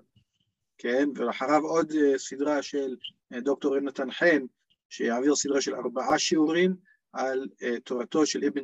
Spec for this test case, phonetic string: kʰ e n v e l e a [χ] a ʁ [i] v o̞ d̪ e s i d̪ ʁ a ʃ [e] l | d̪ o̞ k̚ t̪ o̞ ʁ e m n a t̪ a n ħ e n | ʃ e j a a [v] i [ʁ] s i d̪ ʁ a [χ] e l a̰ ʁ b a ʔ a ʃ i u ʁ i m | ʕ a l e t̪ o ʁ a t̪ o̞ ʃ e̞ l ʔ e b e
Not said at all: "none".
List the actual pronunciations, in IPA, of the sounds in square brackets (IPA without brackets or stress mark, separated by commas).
ħ, a, e, v, ʁ, ʃ